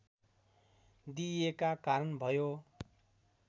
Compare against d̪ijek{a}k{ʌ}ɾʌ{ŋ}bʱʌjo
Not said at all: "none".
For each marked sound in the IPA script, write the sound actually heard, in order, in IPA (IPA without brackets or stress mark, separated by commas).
a, a, n